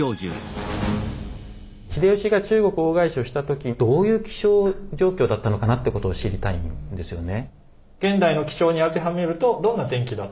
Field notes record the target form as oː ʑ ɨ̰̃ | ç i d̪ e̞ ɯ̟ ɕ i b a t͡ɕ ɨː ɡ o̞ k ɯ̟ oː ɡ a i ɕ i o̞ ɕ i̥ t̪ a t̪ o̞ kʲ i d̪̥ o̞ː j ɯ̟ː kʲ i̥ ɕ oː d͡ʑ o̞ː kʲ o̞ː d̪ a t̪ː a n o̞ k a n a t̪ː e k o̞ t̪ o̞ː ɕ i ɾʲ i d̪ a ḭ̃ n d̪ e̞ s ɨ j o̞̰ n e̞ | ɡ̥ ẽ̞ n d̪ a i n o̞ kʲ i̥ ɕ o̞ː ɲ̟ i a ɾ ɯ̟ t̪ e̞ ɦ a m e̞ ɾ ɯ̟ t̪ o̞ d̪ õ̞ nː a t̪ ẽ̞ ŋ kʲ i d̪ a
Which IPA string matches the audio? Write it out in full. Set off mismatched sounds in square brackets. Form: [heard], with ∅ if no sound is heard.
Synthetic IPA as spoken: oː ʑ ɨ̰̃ | ç i d̪ e̞ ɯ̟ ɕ i [ɡ] a t͡ɕ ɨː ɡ o̞ k ɯ̟ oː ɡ a i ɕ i o̞ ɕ i̥ t̪ a t̪ o̞ kʲ i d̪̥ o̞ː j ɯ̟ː kʲ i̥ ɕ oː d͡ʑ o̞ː kʲ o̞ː d̪ a t̪ː a n o̞ k a n a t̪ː e k o̞ t̪ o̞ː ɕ i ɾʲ i [t̪] a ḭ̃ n d̪ e̞ s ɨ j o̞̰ n e̞ | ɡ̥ ẽ̞ n d̪ a i n o̞ kʲ i̥ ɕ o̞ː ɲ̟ i a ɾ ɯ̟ t̪ e̞ ɦ a m e̞ ɾ ɯ̟ t̪ o̞ d̪ õ̞ nː a t̪ ẽ̞ ŋ kʲ i d̪ a